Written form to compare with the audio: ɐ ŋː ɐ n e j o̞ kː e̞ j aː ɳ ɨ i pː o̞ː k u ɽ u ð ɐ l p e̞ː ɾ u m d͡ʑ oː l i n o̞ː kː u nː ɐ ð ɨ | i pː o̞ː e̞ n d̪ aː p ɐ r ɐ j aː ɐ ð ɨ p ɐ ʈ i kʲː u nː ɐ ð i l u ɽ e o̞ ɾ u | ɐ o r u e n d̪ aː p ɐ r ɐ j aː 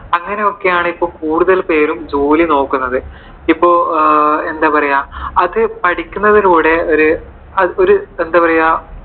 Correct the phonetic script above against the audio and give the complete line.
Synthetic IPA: ɐ ŋː ɐ n e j o̞ kː e̞ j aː ɳ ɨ i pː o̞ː k uː ɽ u ð ɐ l p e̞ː ɾ u m d͡ʑ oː l i n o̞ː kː u nː ɐ ð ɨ | i pː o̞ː e̞ n d̪ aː p ɐ r ɐ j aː ɐ ð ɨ p ɐ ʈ i kʲː u nː ɐ ð i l uː ɽ e o̞ ɾ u | ɐ o ɾ u e n d̪ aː p ɐ r ɐ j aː